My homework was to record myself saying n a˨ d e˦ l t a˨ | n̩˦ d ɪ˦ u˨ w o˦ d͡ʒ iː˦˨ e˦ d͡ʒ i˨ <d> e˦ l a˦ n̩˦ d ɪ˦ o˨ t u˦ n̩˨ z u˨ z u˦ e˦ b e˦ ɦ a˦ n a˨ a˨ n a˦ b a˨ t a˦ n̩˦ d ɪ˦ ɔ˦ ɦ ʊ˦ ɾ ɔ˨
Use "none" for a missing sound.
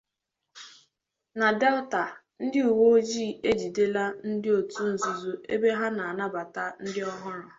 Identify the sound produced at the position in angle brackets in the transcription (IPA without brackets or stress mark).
d